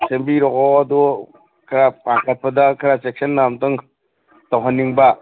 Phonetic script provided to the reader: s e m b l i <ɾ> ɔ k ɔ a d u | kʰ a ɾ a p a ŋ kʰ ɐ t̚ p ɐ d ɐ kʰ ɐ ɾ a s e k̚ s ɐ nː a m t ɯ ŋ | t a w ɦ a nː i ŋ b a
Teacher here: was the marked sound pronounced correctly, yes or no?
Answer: yes